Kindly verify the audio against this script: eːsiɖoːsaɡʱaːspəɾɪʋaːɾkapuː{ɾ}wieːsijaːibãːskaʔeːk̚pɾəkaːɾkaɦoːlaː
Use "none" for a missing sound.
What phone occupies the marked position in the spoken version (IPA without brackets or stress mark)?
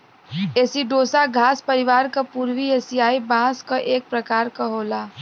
ɾ